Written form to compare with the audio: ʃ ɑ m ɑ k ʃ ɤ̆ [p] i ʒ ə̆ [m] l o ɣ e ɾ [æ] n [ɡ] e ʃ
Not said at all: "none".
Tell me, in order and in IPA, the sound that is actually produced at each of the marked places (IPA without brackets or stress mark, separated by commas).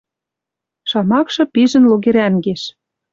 p, n, æ, ɡ